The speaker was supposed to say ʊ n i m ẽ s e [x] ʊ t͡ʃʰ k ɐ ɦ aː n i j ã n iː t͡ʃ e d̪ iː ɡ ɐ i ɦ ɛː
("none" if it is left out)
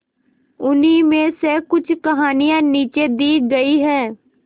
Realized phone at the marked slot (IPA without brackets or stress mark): k